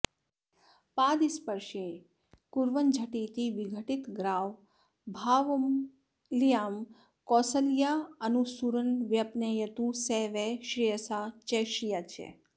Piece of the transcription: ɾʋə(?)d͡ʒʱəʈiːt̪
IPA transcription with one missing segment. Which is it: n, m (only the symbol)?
n